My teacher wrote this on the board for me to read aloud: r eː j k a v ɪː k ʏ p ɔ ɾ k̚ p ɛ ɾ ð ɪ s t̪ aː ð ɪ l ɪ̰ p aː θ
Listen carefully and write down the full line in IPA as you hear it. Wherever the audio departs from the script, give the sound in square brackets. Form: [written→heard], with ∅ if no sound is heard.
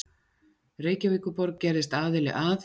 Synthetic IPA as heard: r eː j [k→c] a v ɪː k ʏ p ɔ ɾ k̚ [p→c] ɛ ɾ ð ɪ s t̪ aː ð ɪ l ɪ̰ [p→ʔ] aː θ